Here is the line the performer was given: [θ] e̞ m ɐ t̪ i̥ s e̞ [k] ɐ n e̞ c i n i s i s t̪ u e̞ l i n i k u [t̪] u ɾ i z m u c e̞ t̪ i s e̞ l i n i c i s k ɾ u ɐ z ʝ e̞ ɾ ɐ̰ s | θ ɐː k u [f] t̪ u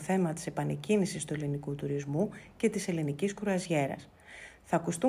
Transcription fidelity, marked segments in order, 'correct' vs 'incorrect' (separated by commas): correct, incorrect, correct, incorrect